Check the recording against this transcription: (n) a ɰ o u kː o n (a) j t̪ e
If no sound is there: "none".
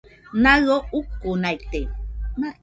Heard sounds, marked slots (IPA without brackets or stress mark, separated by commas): n, a